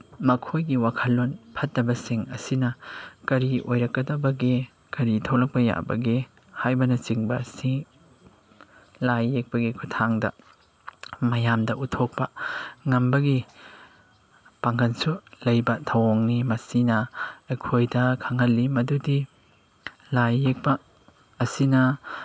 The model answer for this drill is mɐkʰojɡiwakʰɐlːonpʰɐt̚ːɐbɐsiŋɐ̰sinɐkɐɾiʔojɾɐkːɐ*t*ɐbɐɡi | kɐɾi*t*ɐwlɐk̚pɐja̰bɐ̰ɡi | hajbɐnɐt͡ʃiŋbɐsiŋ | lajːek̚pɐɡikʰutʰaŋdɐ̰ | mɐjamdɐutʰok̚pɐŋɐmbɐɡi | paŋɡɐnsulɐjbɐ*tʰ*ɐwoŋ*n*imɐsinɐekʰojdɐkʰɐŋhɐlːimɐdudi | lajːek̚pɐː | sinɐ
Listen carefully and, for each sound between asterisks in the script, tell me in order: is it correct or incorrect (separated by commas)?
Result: incorrect, incorrect, correct, correct